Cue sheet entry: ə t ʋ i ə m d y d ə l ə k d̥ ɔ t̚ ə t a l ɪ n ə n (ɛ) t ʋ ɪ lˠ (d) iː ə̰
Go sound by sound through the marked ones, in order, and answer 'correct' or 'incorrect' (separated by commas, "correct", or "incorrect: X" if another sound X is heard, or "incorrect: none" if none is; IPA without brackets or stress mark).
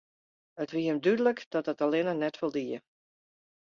correct, correct